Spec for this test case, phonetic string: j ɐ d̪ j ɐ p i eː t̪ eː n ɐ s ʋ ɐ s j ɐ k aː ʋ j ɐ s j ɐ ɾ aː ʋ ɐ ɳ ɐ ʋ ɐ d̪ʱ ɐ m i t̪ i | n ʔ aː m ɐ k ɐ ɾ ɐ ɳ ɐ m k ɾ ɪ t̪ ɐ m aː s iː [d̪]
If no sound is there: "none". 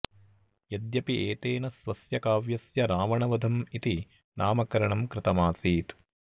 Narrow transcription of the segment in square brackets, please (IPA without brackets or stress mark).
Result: t̪